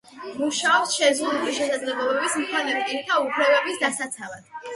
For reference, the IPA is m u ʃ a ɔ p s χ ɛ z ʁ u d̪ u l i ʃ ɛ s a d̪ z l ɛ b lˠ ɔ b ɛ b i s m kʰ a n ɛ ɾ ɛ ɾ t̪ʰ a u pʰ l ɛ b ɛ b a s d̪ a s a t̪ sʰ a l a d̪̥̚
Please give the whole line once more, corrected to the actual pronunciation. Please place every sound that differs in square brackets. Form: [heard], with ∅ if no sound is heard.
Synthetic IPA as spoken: m u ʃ a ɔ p s [ʃ] ɛ z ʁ u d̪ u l i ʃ ɛ s a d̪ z l ɛ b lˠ ɔ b ɛ b i s m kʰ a n ɛ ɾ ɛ ɾ t̪ʰ a u pʰ l ɛ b ɛ b [i] s d̪ a s a t̪ sʰ a l a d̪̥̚